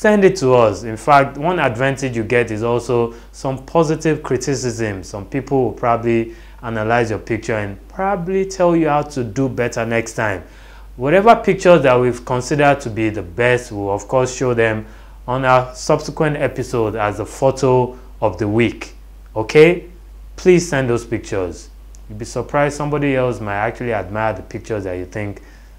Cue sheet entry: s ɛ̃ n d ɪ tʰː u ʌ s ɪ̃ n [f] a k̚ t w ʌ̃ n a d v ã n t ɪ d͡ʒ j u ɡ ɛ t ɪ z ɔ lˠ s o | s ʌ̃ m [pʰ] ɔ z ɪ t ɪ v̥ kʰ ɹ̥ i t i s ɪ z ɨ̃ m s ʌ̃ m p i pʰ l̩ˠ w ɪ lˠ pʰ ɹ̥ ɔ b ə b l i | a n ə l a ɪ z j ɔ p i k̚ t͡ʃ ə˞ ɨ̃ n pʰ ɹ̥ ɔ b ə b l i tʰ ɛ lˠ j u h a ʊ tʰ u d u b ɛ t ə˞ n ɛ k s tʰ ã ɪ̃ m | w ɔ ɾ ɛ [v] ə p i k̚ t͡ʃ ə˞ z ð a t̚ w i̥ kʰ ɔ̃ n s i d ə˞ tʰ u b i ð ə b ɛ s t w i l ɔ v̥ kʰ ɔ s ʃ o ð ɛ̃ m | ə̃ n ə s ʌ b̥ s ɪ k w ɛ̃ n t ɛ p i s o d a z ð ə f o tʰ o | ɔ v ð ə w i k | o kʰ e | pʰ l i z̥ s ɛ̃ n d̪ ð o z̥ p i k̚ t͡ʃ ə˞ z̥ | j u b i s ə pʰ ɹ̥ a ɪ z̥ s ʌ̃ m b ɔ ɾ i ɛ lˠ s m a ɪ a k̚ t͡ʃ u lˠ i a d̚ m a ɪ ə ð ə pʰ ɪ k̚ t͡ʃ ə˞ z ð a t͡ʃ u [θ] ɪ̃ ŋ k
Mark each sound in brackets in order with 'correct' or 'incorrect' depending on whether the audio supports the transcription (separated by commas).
correct, correct, correct, correct